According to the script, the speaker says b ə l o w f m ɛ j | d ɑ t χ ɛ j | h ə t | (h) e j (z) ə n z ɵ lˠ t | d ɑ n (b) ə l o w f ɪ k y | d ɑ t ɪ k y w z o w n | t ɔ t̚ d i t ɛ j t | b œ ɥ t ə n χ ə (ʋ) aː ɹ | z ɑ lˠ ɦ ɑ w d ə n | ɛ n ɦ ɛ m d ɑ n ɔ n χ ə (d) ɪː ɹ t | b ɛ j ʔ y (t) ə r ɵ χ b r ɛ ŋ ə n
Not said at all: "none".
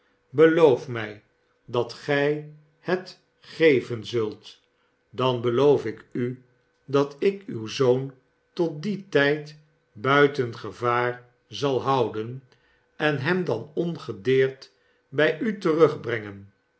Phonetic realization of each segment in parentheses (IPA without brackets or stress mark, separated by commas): χ, v, b, v, d, t